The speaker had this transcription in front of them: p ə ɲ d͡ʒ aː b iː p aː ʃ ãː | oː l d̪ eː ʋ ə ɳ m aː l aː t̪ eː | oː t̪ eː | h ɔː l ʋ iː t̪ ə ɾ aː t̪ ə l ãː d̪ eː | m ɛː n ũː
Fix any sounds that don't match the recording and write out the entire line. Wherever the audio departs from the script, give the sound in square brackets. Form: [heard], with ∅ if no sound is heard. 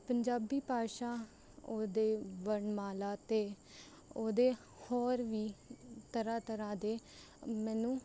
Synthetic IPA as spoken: p ə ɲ d͡ʒ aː b iː p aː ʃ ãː | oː [∅] d̪ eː ʋ ə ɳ m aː l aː t̪ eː | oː [d̪] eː | h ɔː [ɾ] ʋ iː t̪ ə ɾ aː t̪ ə [ɾ] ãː d̪ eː | m ɛː n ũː